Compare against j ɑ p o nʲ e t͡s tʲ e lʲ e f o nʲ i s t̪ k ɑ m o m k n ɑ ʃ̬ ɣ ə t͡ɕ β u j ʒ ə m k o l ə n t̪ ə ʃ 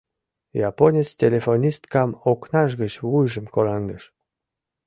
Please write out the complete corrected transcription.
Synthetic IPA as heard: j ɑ p o nʲ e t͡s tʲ e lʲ e f o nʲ i s t̪ k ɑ m o k n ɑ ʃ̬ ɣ ə t͡ɕ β u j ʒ ə m k o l ɑ n d̪ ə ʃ